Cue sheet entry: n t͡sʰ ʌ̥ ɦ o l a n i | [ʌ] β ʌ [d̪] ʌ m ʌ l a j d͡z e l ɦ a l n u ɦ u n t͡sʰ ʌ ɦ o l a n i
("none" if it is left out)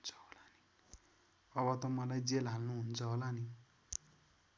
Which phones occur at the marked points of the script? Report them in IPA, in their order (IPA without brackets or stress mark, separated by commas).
ʌ, t̪